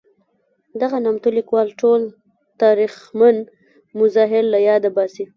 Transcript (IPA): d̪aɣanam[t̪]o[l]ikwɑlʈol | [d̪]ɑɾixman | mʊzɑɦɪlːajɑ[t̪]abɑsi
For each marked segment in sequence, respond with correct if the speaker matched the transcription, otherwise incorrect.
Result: correct, correct, incorrect: t̪, incorrect: d̪

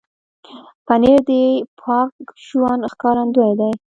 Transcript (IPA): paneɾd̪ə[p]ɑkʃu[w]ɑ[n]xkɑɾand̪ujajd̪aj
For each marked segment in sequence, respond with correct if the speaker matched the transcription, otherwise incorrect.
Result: incorrect: pʰ, correct, correct

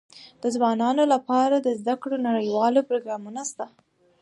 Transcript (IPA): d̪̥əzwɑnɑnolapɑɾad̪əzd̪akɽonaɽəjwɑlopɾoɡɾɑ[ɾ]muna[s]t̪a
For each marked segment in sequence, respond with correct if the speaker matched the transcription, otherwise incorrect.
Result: incorrect: none, correct

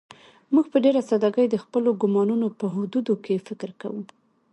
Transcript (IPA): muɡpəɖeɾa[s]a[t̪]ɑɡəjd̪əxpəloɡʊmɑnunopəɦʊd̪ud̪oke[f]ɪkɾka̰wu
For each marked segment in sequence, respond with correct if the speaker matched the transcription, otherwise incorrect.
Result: correct, incorrect: d̪, correct

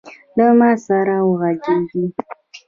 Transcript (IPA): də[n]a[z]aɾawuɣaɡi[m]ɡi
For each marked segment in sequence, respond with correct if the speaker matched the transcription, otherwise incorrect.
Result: incorrect: m, incorrect: s, incorrect: none

